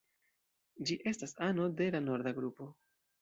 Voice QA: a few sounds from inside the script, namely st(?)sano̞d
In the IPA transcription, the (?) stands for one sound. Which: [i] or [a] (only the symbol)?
a